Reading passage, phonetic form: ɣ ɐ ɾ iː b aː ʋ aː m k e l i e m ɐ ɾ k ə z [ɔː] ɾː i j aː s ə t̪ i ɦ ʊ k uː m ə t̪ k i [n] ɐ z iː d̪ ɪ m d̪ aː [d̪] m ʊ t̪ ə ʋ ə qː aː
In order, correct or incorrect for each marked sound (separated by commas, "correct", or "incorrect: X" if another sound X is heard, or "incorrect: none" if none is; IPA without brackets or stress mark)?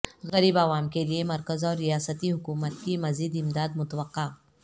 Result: correct, incorrect: m, correct